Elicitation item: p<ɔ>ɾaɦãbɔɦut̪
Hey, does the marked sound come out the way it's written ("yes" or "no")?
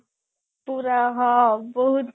no